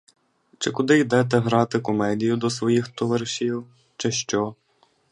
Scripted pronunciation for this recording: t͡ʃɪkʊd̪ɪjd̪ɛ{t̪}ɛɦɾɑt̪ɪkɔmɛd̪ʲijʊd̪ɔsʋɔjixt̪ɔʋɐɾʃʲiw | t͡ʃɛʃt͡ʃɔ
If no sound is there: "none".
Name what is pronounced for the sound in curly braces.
t̪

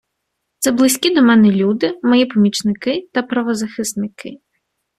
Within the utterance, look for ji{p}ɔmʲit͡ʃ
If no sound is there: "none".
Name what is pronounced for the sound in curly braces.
p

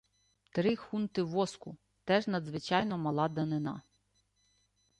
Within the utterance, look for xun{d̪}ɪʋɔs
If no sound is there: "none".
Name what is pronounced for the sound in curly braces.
t̪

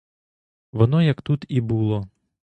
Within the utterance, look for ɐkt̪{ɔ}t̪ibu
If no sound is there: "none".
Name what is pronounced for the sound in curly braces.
u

